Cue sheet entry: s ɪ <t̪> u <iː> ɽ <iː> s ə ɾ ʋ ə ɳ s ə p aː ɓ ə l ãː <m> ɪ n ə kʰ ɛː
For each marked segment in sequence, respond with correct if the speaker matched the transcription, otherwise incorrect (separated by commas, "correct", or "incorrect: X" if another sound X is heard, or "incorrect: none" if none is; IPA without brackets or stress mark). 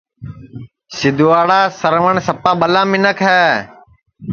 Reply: incorrect: d̪, incorrect: aː, incorrect: aː, correct